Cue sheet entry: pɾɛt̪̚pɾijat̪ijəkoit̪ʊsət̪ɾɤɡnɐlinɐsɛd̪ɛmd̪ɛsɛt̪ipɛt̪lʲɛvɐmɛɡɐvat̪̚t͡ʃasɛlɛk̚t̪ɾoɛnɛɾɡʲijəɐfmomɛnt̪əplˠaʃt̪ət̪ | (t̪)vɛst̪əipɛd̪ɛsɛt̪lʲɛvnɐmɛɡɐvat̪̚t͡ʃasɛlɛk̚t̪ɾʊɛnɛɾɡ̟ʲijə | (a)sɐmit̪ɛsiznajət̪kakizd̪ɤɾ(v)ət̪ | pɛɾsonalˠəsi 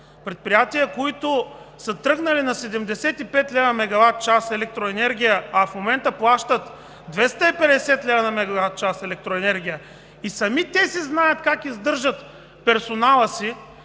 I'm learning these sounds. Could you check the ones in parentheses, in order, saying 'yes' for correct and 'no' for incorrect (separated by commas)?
no, no, no